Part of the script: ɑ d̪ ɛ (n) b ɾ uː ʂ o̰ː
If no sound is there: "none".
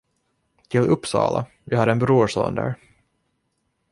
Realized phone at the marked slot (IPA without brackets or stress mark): n